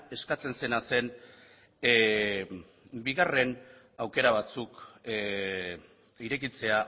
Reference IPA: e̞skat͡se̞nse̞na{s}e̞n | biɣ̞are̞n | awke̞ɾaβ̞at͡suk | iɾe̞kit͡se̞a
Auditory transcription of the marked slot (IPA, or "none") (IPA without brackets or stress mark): s